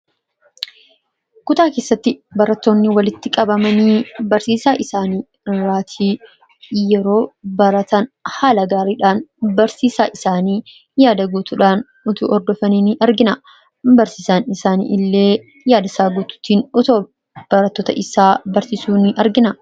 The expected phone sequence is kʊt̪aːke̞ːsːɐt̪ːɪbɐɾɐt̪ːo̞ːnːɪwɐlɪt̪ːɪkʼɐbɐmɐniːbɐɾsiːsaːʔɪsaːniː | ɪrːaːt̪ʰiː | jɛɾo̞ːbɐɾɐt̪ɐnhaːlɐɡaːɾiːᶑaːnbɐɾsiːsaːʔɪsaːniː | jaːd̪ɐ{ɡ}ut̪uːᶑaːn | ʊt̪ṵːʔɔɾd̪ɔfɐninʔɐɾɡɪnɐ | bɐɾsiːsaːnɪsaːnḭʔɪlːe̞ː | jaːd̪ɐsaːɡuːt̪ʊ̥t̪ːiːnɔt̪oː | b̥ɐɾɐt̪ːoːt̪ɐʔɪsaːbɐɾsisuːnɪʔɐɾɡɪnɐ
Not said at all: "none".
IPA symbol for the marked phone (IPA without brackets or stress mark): ɡ